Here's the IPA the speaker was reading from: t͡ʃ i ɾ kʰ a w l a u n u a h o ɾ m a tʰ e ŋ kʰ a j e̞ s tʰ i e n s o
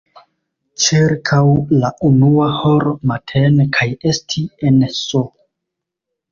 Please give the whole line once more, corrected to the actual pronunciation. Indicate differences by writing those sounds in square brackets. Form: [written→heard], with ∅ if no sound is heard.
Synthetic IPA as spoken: t͡ʃ i ɾ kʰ a w l a u n u a h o ɾ m a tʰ e [ŋ→n] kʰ a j e̞ s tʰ i e n s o